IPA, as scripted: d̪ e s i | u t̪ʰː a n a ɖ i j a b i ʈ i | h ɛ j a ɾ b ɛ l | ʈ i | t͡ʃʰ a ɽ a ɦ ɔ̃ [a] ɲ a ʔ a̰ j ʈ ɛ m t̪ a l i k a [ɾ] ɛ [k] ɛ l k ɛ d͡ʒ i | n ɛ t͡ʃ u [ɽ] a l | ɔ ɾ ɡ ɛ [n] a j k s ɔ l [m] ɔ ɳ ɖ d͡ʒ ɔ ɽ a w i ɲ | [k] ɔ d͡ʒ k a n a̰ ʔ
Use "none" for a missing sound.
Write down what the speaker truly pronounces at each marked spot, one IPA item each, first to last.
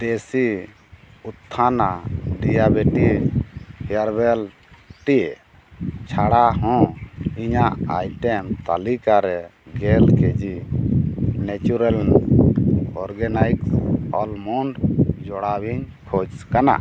i, ɾ, ɡ, ɾ, n, m, kʰ

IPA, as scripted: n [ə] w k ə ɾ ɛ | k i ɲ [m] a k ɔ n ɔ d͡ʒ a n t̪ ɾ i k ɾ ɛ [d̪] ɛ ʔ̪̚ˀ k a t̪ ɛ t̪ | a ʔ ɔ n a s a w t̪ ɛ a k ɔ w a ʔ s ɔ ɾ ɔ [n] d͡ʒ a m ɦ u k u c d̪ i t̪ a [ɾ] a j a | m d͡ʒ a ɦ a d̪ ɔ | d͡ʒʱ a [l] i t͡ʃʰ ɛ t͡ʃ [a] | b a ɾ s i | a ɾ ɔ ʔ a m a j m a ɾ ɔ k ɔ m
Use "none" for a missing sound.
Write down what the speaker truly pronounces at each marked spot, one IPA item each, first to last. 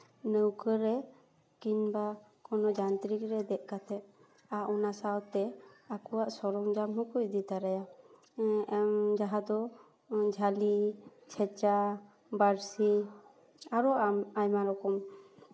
ə, b, d̪, ŋ, ɾ, l, a

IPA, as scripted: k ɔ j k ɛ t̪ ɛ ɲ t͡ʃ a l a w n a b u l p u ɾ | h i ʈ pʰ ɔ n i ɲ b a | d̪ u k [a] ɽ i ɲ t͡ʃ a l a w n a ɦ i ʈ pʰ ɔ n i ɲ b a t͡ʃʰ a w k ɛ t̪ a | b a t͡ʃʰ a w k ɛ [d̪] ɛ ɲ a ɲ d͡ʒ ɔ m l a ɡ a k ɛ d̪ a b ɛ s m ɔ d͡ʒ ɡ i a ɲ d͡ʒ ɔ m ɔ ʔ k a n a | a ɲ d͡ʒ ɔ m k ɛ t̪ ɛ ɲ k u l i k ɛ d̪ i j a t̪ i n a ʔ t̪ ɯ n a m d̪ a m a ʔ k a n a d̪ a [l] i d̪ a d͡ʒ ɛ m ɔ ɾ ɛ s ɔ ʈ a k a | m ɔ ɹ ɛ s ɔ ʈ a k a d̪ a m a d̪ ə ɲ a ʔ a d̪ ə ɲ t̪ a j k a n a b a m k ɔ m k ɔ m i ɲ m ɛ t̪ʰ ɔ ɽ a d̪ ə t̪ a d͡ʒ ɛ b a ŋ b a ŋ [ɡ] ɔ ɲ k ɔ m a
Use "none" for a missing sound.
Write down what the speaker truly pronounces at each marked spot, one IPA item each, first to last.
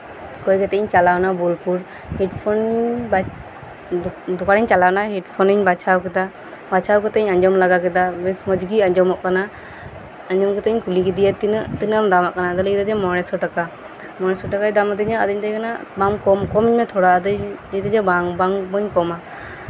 a, t̪, l, b

